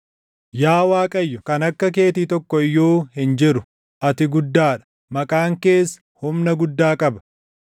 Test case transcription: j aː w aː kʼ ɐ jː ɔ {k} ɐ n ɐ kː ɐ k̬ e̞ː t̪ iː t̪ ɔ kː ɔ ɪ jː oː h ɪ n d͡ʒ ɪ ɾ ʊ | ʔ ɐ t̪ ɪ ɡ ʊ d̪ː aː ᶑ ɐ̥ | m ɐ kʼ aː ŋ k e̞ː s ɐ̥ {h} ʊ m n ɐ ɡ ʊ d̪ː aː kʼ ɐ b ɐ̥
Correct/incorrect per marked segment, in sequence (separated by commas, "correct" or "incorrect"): correct, correct